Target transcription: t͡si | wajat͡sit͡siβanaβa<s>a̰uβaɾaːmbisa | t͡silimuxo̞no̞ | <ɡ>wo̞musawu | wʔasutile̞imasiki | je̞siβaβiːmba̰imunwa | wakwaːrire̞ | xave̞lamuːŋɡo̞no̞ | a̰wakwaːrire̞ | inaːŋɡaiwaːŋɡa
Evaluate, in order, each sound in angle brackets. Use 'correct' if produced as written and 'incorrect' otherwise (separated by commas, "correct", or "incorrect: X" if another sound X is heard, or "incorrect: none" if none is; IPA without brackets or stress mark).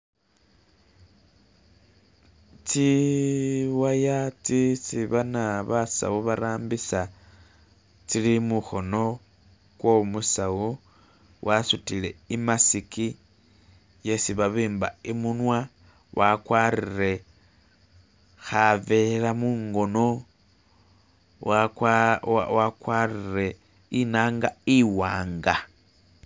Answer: correct, incorrect: k